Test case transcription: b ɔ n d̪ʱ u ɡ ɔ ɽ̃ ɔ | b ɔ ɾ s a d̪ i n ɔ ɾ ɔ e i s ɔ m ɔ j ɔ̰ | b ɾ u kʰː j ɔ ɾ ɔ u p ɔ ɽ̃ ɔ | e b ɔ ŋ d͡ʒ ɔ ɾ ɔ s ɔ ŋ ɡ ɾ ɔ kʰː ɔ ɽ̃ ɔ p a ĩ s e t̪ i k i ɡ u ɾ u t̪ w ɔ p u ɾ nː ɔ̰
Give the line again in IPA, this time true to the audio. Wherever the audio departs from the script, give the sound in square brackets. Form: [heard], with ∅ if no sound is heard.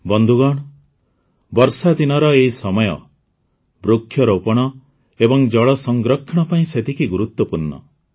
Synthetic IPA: b ɔ n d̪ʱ u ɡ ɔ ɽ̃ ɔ | b ɔ ɾ s a d̪ i n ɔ ɾ ɔ e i s ɔ m ɔ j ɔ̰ | b ɾ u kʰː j ɔ ɾ ɔ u p ɔ ɽ̃ ɔ | e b ɔ ŋ d͡ʒ ɔ [ɭ] ɔ s ɔ ŋ ɡ ɾ ɔ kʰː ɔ ɽ̃ ɔ p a ĩ s e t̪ i k i ɡ u ɾ u t̪ w ɔ p u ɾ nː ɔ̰